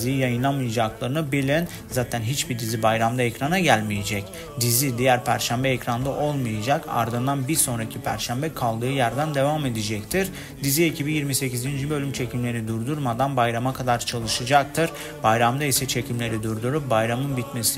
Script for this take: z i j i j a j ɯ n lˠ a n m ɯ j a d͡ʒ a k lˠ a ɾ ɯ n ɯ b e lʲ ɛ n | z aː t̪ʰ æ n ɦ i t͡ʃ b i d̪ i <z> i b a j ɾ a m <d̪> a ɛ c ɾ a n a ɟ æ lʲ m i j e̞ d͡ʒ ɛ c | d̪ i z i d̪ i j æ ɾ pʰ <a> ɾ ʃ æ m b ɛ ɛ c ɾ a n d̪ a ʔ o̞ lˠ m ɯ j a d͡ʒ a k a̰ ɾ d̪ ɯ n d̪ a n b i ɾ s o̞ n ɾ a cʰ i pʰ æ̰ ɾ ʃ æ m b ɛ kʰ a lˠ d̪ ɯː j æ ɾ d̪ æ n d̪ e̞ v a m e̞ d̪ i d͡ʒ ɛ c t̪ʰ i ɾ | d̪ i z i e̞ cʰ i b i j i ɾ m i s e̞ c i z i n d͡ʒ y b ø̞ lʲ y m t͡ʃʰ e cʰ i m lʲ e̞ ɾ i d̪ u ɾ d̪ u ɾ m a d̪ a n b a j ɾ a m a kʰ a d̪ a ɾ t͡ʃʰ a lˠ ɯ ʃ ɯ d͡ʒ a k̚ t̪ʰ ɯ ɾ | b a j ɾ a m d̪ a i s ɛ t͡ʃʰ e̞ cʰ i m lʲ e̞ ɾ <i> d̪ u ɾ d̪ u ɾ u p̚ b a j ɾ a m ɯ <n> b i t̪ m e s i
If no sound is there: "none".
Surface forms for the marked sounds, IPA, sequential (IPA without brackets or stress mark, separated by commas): z, d̪, æ, i, n